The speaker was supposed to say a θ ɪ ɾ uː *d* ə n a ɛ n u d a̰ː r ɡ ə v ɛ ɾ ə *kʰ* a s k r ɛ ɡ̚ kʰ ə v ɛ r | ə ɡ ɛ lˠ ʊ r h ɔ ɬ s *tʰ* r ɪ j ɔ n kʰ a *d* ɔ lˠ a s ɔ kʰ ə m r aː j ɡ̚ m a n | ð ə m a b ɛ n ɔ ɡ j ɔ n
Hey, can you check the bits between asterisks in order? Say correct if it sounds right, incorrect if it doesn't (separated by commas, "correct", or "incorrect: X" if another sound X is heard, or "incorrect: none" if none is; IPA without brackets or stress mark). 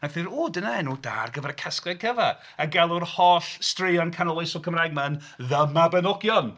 correct, correct, incorrect: t, incorrect: n